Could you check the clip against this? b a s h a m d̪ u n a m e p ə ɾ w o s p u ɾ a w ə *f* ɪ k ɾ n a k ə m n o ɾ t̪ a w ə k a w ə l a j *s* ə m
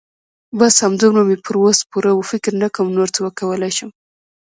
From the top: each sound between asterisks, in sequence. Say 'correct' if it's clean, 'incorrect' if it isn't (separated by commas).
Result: correct, incorrect